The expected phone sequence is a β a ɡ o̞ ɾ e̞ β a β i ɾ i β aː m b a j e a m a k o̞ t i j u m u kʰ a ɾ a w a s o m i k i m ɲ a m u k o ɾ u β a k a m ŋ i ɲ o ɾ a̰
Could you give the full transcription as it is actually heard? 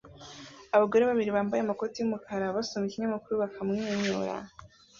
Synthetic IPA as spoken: a β a ɡ o̞ ɾ e̞ β a β i ɾ i β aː m b a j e a m a k o̞ t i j u m u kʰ a ɾ a β a s o m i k i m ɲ a m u k u ɾ u β a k a m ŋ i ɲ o ɾ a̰